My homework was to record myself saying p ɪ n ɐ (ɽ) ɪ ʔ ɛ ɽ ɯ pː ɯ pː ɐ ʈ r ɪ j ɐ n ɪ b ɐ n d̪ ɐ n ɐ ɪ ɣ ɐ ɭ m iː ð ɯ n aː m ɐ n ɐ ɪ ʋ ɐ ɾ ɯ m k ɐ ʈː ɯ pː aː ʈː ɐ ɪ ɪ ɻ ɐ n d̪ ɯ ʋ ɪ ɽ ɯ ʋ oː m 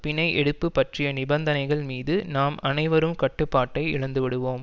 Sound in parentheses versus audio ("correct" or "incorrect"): incorrect